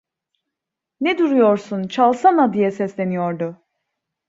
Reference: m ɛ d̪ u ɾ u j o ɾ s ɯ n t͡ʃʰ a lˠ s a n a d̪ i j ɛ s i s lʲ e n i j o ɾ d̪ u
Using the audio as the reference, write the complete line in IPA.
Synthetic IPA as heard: n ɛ d̪ u ɾ u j o ɾ s u n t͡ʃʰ a lˠ s a n a d̪ i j ɛ s ɛ s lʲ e n i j o ɾ d̪ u